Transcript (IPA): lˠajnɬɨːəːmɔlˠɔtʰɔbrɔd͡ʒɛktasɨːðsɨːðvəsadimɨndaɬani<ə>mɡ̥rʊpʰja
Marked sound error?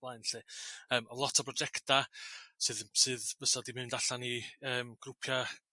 yes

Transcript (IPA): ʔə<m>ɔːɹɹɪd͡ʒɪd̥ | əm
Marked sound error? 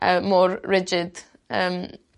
no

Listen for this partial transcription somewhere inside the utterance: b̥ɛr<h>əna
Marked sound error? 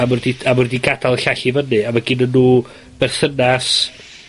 yes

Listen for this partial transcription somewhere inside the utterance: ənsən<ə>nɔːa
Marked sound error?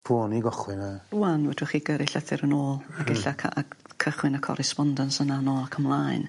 yes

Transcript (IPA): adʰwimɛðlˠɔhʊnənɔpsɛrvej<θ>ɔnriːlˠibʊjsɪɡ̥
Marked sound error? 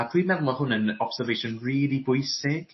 yes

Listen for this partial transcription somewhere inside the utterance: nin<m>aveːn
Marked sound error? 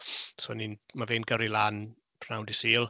no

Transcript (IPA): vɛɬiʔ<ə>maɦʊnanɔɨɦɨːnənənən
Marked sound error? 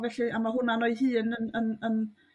yes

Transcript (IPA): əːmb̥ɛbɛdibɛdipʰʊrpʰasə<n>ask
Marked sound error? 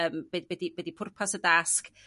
yes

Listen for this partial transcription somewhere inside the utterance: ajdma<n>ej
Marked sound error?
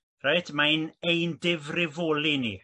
no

